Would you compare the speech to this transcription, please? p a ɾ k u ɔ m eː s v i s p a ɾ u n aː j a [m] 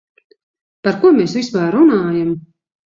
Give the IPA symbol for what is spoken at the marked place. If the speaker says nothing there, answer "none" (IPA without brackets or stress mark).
m